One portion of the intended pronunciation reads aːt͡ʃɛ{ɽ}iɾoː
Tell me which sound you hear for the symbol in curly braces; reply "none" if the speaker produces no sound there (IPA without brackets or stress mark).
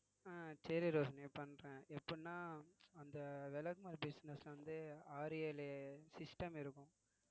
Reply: ɾ